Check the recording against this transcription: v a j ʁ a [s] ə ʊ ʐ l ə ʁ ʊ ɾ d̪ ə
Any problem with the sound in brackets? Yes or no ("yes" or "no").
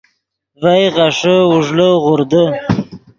yes